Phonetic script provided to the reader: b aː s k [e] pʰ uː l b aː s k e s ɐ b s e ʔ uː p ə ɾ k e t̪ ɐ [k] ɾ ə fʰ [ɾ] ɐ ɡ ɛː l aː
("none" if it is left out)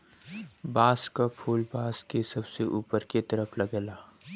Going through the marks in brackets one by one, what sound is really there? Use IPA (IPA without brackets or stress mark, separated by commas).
a, none, l